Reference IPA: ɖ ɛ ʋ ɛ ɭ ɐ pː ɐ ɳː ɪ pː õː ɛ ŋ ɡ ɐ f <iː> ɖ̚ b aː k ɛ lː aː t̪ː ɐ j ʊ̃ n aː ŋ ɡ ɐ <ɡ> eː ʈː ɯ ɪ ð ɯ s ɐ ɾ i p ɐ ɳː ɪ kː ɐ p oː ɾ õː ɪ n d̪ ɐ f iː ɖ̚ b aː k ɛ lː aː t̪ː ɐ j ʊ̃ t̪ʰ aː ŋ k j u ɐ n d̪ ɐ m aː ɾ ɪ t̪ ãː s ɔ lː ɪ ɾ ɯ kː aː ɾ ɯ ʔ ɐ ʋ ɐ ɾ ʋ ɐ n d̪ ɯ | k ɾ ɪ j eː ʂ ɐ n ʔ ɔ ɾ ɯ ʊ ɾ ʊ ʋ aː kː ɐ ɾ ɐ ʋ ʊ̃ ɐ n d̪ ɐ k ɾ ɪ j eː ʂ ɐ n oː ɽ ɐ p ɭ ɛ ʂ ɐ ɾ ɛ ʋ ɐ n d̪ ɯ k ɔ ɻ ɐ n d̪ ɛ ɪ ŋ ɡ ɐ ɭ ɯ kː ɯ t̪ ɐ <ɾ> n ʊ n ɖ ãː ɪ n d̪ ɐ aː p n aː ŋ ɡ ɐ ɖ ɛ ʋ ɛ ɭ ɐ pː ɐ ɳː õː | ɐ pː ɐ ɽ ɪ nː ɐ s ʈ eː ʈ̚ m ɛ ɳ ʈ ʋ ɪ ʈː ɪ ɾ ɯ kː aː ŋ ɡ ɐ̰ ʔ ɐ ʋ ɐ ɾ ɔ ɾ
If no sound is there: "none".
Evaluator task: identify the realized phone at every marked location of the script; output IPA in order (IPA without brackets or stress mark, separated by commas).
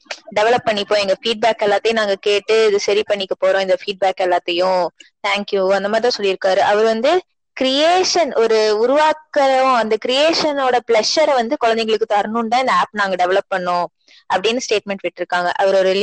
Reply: iː, k, ɾ